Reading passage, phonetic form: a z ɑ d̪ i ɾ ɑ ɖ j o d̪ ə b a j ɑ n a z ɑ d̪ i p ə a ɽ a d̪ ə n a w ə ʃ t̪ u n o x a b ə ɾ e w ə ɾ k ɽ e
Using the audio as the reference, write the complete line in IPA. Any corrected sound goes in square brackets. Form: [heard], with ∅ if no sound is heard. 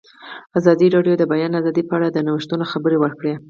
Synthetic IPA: a z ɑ d̪ i ɾ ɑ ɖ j o d̪ ə b a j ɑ n a z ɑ d̪ i p ə a ɽ a d̪ ə n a w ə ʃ t̪ u n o x a b ə ɾ e w ə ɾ k ɽ e